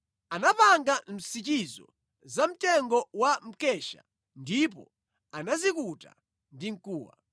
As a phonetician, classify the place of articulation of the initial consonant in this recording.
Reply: alveolar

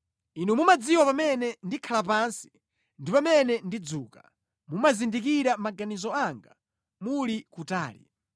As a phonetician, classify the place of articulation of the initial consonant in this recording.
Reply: alveolar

